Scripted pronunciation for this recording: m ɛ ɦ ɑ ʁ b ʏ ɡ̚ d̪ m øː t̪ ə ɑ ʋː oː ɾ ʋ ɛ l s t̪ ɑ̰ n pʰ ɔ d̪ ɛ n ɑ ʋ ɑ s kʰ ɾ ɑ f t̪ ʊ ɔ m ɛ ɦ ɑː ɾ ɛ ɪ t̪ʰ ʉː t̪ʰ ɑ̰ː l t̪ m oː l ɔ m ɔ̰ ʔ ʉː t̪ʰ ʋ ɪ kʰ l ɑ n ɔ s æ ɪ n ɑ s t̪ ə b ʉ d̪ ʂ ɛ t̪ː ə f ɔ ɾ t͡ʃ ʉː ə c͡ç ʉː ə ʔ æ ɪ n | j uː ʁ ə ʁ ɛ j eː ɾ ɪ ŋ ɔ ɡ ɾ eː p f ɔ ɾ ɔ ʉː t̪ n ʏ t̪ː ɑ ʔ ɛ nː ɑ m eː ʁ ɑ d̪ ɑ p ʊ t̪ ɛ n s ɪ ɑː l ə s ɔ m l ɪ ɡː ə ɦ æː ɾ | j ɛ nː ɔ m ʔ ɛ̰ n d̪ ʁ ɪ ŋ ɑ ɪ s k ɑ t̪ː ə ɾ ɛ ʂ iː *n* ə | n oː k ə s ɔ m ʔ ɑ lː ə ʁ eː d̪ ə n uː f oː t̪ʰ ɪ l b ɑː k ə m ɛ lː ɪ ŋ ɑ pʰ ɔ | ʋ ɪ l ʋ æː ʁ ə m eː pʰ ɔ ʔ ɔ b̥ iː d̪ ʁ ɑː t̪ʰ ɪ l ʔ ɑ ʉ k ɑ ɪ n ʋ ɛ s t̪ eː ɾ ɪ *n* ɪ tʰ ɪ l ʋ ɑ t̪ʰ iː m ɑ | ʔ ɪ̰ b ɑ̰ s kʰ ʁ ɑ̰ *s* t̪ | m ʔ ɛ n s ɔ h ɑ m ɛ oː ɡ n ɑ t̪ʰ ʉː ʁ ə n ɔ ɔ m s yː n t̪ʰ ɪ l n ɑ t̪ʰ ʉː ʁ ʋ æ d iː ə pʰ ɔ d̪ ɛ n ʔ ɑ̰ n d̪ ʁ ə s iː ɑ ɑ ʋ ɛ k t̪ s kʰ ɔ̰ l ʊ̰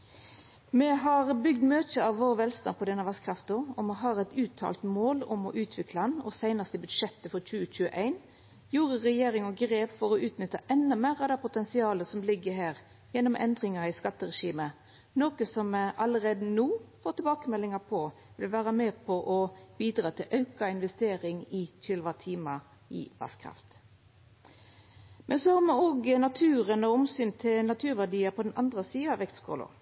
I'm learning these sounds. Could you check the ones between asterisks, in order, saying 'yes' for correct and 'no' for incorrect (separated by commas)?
no, no, no